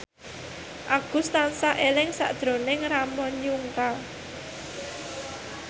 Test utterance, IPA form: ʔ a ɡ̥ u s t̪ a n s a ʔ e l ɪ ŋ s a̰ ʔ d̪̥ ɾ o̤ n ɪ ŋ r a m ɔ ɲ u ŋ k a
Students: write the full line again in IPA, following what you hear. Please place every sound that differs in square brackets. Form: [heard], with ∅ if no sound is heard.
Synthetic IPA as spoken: ʔ a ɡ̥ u s t̪ a n s a ʔ e l ɪ ŋ s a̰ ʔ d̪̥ ɾ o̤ n ɪ ŋ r a m ɔ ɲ u ŋ k a

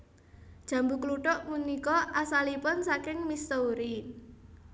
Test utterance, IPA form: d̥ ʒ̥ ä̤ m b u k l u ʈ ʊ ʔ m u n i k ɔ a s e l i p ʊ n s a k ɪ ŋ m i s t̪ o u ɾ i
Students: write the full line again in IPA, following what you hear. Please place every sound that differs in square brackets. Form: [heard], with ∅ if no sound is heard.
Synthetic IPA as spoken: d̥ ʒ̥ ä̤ m b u k l u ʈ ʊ ʔ m u n i k ɔ a s [a] l i p ʊ n s a k ɪ ŋ m i s t̪ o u ɾ i

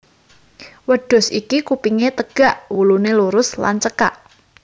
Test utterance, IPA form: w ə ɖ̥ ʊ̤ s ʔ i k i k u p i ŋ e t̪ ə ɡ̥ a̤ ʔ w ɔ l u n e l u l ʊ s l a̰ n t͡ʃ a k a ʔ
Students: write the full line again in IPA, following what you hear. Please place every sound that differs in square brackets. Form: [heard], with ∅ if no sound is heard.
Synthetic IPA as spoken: w ə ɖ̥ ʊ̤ s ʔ i k i k u p i ŋ e t̪ ə ɡ̥ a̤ ʔ w [u] l u n e l u [ɾ] ʊ s l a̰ n t͡ʃ [ə] k a ʔ

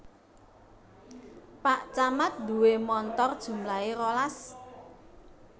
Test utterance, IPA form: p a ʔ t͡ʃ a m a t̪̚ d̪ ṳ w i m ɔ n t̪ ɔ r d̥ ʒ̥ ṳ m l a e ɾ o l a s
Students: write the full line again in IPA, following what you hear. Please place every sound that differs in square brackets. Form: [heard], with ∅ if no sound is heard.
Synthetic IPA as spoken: p a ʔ t͡ʃ a m a t̪̚ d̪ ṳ w [e] m ɔ n t̪ ɔ r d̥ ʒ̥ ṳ m l a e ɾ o l a s

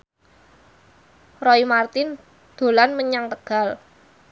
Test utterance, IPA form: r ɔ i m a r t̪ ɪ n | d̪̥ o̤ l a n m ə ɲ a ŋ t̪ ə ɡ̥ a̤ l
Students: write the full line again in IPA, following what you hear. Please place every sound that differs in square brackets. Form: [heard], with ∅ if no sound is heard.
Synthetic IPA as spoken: r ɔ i m a r t̪ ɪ n | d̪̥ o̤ l a n m ə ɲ a ŋ t̪ ə ɡ̥ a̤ l

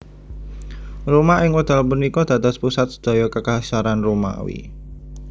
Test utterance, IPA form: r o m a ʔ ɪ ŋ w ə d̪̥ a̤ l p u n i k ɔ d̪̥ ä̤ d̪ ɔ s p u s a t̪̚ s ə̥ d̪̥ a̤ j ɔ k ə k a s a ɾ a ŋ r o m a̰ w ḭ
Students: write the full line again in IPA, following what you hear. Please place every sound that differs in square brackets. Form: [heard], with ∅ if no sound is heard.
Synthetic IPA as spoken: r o m a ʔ ɪ ŋ w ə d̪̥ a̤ l p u n i k ɔ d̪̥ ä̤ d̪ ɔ s p u s a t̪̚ s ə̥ d̪̥ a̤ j ɔ k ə k a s a ɾ a [n] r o m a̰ w ḭ

